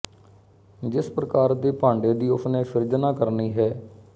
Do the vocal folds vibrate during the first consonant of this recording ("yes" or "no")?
yes